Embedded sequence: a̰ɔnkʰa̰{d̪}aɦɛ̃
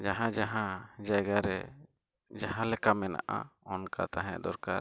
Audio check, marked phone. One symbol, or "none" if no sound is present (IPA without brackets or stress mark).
t̪